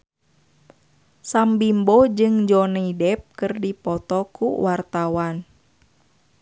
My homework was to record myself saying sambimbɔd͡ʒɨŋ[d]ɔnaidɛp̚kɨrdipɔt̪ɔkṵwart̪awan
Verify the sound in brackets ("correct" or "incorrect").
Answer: incorrect